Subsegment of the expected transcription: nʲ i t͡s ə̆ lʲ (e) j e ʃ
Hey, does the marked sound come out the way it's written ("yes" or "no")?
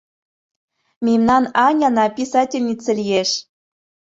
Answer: no